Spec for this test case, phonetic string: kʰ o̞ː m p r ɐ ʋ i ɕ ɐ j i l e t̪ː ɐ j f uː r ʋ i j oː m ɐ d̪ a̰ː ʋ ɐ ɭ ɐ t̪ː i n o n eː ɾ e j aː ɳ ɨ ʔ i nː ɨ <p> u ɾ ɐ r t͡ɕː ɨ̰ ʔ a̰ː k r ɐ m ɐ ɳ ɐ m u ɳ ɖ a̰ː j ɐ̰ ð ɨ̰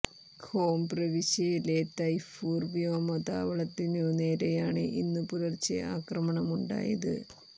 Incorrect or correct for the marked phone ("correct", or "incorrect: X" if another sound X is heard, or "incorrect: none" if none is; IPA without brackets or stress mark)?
correct